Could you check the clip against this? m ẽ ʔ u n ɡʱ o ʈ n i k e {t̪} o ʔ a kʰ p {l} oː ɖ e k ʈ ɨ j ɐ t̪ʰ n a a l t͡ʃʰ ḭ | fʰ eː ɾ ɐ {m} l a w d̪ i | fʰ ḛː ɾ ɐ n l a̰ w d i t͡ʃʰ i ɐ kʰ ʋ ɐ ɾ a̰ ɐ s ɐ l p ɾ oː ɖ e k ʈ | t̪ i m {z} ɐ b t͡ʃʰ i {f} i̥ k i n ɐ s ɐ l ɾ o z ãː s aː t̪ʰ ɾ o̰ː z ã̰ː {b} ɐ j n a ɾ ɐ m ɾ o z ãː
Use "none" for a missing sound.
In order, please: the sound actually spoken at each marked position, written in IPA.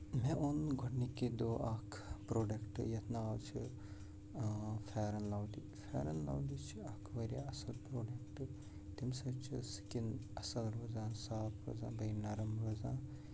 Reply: d̪, ɾ, n, s, s, b

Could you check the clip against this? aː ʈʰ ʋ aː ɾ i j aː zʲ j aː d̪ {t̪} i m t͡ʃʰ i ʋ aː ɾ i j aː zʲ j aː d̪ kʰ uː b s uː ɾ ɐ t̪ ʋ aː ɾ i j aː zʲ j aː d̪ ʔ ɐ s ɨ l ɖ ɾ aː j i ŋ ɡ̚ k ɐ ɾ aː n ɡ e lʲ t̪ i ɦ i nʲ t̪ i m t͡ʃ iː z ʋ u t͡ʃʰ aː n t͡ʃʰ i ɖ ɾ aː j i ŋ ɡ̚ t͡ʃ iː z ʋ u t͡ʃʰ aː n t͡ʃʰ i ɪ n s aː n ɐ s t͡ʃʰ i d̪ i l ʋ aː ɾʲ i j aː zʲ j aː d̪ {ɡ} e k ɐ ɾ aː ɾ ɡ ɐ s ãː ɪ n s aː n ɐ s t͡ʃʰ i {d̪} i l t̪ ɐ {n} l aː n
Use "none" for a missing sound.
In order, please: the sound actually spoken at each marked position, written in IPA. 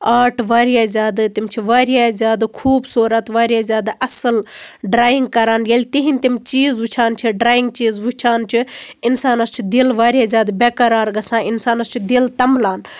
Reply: t̪, b, d̪, m

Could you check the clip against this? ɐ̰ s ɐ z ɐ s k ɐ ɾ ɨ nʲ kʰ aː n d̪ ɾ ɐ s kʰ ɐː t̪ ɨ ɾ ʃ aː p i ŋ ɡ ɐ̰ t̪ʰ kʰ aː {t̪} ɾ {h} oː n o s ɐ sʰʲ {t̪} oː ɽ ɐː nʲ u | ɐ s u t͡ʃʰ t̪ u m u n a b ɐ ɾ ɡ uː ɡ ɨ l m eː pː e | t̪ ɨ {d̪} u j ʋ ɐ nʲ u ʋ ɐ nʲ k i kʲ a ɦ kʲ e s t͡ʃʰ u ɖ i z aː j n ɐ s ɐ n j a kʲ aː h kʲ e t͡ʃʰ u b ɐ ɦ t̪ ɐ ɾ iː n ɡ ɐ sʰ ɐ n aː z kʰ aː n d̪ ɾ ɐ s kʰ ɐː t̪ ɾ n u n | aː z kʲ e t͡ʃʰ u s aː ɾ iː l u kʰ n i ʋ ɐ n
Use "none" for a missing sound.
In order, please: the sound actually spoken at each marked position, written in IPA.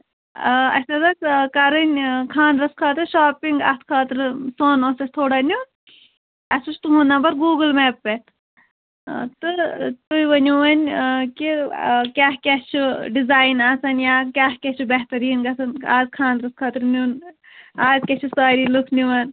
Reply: t̪, s, t̪ʰ, t̪

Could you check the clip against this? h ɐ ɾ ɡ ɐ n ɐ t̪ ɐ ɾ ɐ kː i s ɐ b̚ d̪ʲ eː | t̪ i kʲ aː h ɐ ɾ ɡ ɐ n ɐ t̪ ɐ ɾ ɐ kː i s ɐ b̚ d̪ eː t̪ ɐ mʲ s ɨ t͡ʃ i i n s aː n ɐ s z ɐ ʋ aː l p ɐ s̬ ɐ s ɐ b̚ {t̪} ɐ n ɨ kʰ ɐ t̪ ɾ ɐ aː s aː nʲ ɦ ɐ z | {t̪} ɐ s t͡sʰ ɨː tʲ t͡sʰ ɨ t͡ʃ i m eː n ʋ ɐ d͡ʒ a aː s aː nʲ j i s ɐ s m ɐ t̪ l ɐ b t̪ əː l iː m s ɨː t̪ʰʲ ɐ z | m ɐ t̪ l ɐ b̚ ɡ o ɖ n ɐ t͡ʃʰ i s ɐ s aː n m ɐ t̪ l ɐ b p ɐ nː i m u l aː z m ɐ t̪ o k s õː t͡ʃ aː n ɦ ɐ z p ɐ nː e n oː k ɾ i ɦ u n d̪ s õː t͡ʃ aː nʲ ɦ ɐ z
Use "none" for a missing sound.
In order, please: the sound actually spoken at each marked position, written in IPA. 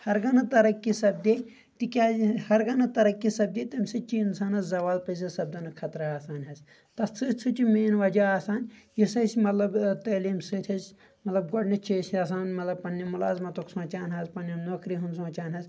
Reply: d̪, t̪

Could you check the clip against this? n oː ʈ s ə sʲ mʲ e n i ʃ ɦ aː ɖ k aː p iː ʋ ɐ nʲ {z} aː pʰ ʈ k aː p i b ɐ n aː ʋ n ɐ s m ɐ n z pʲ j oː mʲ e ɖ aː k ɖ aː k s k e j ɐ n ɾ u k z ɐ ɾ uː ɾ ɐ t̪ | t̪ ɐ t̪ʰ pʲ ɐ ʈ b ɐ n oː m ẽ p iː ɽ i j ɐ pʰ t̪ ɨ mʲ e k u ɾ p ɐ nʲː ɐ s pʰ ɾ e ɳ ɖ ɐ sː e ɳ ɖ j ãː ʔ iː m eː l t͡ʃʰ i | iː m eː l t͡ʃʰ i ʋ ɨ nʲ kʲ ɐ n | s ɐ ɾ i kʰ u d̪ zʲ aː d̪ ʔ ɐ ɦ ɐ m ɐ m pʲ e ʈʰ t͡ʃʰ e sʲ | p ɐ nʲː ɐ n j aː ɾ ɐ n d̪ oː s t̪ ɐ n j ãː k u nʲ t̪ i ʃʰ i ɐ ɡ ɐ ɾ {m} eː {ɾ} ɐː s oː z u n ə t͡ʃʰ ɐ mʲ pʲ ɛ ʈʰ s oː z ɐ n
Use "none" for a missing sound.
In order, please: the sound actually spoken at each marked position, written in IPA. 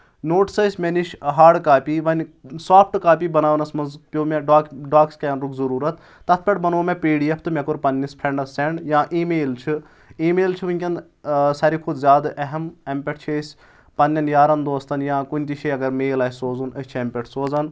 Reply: s, m, l

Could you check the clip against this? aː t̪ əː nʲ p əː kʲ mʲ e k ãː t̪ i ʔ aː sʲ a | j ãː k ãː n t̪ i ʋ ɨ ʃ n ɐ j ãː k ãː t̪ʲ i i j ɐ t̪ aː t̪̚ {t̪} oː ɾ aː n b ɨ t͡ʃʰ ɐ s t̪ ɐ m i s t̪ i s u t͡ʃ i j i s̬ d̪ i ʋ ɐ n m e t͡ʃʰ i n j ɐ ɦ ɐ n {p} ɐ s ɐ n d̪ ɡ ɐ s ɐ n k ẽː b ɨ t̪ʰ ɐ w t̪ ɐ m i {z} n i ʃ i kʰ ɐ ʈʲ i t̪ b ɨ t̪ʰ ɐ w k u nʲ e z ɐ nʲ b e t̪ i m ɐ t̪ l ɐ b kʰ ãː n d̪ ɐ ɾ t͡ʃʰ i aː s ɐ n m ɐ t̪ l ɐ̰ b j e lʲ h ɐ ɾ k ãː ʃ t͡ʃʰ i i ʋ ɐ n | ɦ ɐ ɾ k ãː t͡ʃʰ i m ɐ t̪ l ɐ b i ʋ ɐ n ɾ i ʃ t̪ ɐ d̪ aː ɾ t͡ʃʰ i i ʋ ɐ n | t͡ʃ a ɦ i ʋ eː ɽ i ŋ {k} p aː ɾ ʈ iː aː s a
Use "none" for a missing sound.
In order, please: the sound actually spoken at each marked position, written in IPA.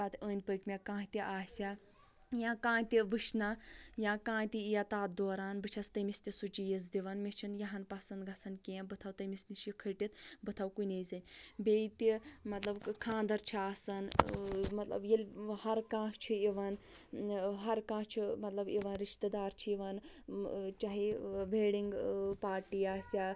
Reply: d̪, p, s, ɡ

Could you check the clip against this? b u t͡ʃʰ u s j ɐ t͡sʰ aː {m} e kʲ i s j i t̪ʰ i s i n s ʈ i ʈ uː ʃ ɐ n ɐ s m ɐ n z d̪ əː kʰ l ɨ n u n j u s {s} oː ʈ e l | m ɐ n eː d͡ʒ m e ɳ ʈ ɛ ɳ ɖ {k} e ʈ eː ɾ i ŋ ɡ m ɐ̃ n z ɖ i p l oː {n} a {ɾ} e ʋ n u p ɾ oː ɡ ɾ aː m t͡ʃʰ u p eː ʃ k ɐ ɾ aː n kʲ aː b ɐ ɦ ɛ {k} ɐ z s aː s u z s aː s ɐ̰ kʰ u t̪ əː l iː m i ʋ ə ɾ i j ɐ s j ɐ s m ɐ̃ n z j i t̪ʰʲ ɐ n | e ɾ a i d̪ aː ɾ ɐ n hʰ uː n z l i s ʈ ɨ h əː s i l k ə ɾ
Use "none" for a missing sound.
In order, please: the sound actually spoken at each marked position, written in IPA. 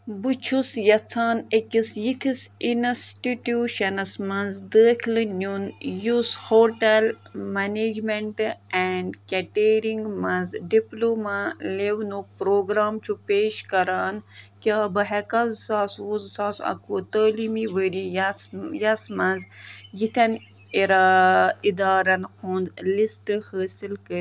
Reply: n, h, k, m, l, k

